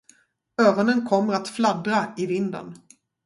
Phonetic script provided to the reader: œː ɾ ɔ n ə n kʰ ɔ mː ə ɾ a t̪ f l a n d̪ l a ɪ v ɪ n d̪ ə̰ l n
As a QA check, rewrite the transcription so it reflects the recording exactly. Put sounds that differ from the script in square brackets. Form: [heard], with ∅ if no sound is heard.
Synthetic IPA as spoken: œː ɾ ɔ n ə n kʰ ɔ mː ə ɾ a t̪ f l a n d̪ [ɾ] a ɪ v ɪ n d̪ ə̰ [∅] n